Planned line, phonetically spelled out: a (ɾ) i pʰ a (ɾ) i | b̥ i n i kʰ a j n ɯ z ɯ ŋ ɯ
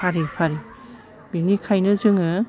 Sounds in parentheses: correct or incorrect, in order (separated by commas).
correct, correct